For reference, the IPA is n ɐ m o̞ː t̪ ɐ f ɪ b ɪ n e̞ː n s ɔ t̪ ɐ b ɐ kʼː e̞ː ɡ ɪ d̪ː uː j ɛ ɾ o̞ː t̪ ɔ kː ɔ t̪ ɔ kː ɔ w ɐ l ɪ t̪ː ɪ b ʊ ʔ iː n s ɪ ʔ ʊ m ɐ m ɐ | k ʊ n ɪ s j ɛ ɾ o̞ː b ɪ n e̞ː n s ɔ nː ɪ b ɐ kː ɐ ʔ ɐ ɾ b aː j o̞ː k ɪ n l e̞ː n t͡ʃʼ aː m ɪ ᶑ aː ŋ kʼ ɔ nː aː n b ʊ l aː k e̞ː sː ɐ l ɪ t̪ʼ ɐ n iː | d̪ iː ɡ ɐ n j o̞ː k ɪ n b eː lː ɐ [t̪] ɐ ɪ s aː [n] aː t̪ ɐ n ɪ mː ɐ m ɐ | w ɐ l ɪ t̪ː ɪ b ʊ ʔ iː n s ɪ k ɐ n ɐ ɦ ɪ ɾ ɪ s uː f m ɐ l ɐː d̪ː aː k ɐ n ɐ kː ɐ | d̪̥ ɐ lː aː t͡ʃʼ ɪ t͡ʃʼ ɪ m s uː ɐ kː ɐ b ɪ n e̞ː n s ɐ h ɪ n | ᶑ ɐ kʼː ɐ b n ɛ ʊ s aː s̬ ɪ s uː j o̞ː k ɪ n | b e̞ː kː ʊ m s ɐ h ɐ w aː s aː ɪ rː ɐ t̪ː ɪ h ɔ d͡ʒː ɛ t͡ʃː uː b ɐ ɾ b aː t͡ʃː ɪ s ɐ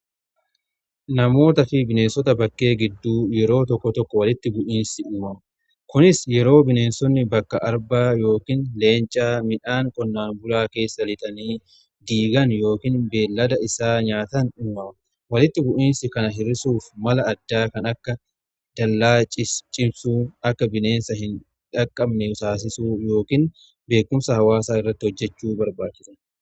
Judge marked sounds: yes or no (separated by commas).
no, no